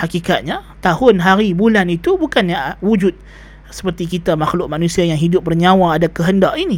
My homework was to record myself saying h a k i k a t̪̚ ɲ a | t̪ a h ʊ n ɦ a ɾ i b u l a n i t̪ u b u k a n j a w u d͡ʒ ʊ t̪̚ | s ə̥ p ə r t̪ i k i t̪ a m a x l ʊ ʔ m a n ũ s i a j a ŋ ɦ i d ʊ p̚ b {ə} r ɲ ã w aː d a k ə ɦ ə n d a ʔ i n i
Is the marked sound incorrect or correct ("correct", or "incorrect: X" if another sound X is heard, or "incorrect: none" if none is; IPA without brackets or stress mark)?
correct